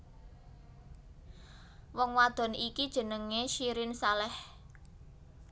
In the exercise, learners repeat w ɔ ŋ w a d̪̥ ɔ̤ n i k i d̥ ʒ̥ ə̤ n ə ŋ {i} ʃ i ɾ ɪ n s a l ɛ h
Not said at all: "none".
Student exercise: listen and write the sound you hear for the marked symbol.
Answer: e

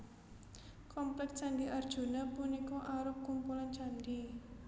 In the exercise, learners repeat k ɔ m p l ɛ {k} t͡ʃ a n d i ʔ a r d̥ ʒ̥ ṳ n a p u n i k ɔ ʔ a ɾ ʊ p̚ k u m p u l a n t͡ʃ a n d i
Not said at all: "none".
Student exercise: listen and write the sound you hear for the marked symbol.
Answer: k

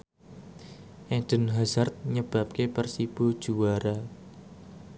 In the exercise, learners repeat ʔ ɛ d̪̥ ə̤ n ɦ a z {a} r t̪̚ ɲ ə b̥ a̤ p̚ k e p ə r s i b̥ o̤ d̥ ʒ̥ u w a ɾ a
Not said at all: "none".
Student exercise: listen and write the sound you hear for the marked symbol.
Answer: a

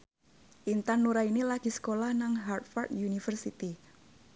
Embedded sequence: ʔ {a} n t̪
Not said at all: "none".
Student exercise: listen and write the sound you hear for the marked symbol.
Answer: i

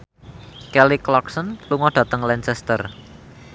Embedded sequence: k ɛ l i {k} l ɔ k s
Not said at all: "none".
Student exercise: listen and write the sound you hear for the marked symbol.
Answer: k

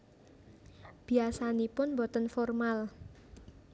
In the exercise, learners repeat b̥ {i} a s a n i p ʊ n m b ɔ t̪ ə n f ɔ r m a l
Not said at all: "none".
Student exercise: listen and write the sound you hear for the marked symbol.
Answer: i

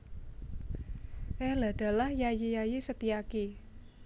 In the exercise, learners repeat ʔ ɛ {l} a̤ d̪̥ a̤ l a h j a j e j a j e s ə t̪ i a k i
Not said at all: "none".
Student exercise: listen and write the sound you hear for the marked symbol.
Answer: l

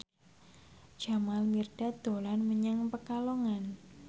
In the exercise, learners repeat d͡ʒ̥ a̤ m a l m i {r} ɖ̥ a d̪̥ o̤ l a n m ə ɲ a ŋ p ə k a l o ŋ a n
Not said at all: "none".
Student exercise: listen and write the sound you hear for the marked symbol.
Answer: r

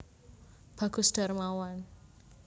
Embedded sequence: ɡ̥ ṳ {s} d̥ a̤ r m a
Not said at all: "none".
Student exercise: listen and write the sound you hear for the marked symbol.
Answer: s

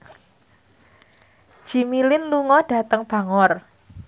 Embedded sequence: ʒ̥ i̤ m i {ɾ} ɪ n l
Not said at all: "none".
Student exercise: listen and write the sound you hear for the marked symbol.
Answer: l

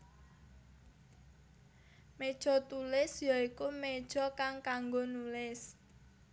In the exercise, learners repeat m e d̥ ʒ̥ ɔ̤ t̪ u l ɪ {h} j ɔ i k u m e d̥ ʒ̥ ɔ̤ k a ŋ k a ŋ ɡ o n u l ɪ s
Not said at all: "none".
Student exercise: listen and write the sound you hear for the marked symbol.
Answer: s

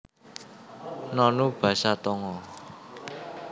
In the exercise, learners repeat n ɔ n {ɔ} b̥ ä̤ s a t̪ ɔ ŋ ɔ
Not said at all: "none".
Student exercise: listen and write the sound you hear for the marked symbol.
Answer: u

